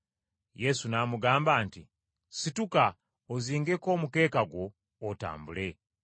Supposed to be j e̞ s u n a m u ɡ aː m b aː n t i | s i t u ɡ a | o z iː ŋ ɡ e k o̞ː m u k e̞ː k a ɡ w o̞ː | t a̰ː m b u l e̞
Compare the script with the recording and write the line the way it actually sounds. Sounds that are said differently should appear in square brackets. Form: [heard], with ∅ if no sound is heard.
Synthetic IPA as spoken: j e̞ s u n a m u ɡ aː m b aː n t i | s i t u [k] a | o z iː ŋ ɡ e k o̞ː m u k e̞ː k a ɡ w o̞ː | t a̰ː m b u l e̞

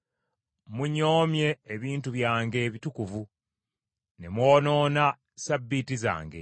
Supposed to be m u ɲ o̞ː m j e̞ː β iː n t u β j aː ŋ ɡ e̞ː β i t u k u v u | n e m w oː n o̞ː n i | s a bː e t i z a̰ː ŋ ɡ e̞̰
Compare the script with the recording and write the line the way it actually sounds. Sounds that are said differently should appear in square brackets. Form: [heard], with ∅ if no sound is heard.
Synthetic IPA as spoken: m u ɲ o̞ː m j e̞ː β iː n t u β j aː ŋ ɡ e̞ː β i t u k u v u | n e m w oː n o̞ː n [a] | s a bː [i] t i z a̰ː ŋ ɡ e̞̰

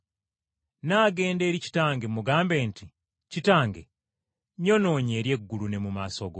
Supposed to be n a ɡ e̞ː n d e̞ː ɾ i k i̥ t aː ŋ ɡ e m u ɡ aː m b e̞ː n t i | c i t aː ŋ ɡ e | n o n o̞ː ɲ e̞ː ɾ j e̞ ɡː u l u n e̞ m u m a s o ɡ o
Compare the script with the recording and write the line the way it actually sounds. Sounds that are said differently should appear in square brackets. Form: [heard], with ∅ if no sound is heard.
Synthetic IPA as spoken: n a ɡ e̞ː n d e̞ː ɾ i [c] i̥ t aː ŋ ɡ e m u ɡ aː m b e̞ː n t i | c i t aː ŋ ɡ e | [ɲ] o n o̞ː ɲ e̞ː ɾ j e̞ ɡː u l u n e̞ m u m a s o ɡ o

